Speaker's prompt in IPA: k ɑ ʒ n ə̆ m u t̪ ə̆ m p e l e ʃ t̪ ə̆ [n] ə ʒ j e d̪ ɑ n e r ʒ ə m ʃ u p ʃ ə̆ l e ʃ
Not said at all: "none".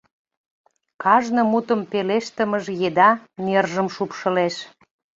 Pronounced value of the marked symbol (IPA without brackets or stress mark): m